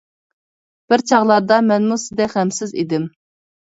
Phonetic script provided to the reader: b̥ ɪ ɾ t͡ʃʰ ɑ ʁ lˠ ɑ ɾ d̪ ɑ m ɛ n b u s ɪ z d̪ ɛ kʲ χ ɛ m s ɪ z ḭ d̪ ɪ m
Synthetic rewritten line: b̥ ɪ ɾ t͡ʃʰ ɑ ʁ lˠ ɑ ɾ d̪ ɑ m ɛ n m u s ɪ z d̪ ɛ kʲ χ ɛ m s ɪ z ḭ d̪ ɪ m